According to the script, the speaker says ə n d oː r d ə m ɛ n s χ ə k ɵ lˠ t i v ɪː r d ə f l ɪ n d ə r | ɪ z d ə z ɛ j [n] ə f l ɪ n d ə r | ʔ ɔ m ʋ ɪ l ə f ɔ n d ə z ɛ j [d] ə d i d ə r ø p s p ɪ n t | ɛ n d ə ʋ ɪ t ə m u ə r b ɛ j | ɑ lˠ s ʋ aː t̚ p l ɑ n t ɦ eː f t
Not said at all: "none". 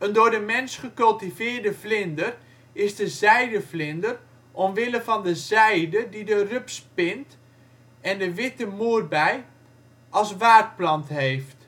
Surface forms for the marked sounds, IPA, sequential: d, d

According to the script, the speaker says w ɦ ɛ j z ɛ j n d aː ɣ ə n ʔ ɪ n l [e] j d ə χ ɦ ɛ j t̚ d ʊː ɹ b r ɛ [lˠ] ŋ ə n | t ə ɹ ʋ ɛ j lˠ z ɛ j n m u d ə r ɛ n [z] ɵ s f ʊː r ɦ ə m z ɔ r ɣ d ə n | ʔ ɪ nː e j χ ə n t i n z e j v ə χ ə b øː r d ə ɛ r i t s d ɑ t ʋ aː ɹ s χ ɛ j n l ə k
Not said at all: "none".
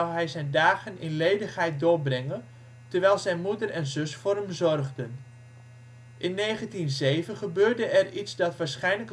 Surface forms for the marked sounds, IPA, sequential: e, none, z

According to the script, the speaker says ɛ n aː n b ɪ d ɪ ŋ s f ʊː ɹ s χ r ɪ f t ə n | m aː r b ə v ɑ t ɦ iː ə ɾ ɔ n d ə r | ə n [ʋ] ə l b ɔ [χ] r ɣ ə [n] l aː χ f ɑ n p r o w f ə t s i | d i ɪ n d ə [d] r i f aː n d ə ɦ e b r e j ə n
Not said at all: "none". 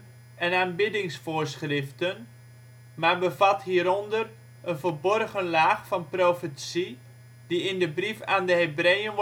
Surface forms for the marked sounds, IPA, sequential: v, none, n, b

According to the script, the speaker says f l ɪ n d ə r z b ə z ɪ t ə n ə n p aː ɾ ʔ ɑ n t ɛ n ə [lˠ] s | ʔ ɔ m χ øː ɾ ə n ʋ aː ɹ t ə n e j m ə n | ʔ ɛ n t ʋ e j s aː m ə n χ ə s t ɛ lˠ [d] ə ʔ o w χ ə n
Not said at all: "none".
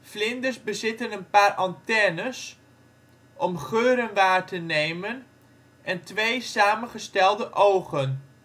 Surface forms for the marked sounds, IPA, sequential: none, d

